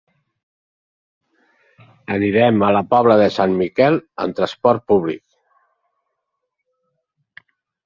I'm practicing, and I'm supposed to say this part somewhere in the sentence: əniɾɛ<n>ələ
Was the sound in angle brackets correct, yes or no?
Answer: no